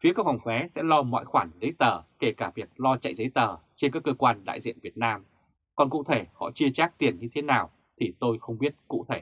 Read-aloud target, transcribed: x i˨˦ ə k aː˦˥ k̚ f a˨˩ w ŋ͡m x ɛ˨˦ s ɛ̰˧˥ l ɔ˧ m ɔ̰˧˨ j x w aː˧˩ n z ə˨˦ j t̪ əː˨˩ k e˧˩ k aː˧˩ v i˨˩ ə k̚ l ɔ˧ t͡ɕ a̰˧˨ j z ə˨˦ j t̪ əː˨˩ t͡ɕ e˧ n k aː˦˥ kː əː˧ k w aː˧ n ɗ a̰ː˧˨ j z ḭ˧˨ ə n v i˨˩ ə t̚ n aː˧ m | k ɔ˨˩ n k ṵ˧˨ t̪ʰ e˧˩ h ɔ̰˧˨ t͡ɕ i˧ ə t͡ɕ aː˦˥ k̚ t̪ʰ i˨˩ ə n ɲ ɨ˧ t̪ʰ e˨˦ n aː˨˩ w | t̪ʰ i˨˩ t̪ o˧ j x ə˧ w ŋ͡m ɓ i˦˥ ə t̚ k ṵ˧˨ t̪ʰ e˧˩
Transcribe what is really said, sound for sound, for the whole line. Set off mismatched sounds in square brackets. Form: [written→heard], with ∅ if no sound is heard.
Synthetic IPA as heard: [x→f] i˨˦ ə k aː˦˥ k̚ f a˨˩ w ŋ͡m [x→f] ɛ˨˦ s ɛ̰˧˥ l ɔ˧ m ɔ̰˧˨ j x w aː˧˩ n z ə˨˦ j t̪ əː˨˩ k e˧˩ k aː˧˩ v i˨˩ ə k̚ l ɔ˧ t͡ɕ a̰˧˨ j z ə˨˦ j t̪ əː˨˩ t͡ɕ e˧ n k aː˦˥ kː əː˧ k w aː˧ n ɗ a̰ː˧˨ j z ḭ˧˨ ə n v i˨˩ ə t̚ n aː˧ m | k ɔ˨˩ n k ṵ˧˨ t̪ʰ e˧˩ h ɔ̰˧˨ t͡ɕ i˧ ə t͡ɕ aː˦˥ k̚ [t̪ʰ→t̪] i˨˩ ə n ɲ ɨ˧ t̪ʰ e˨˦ n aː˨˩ w | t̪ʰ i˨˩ t̪ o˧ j x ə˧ w ŋ͡m ɓ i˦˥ ə t̚ k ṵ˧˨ t̪ʰ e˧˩